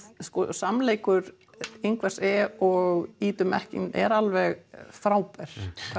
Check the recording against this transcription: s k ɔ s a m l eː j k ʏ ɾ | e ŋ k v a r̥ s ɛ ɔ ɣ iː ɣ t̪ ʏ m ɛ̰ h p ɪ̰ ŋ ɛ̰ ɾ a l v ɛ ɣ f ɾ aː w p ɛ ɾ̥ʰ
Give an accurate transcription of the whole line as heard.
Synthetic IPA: s k ɔ s a m l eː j k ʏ ɾ | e ŋ k v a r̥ s ɛ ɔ ɣ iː t̪ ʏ m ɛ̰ h c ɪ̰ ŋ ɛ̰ ɾ a l v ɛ ɣ f ɾ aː w p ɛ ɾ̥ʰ